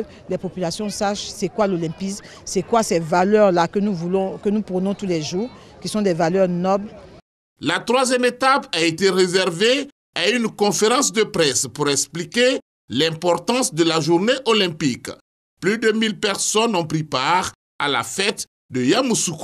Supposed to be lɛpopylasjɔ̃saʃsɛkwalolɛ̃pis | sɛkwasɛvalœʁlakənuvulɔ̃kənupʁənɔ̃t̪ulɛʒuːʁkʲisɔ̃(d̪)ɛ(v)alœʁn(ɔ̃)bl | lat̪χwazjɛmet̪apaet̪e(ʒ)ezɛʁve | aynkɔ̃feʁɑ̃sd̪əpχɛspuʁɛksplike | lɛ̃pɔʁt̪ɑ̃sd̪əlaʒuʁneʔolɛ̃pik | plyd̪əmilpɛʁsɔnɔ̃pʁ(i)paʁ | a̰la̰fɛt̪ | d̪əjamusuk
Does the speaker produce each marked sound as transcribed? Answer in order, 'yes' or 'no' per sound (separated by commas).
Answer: yes, yes, no, no, yes